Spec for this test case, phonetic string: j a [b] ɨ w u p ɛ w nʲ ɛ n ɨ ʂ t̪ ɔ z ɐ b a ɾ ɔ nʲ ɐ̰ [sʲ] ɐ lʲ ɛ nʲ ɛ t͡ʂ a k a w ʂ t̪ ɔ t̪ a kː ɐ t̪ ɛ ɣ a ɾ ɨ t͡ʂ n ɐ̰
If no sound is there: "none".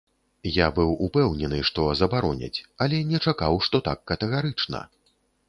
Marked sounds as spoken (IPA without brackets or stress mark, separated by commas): b, t͡sʲ